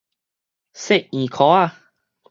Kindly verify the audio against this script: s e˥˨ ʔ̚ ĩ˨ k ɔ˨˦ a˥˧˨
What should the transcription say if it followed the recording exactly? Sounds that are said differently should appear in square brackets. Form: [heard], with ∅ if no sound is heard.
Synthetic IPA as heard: s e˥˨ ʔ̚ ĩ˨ [kʰ] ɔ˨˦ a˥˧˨